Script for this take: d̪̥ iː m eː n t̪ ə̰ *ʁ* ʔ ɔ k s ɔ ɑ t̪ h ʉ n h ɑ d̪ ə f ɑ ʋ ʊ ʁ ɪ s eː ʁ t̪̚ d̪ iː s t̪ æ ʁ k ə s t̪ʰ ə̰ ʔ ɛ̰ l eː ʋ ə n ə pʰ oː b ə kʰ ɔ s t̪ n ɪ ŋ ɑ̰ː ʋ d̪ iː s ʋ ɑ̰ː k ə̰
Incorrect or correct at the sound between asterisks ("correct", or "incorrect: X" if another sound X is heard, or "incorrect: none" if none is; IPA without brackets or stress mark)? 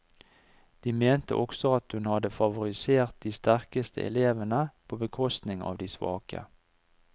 incorrect: none